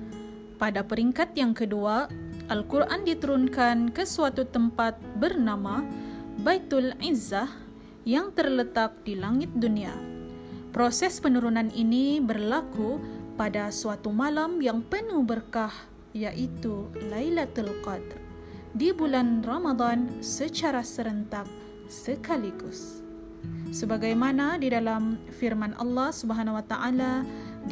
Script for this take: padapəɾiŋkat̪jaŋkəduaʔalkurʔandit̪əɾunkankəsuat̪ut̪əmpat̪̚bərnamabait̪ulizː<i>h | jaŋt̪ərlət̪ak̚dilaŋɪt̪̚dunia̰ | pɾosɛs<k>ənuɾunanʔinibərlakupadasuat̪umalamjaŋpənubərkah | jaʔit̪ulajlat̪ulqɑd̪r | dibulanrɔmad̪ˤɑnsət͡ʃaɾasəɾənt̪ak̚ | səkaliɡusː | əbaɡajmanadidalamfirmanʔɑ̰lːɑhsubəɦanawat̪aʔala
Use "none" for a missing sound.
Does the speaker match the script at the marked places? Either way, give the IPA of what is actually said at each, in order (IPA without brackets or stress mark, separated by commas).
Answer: a, p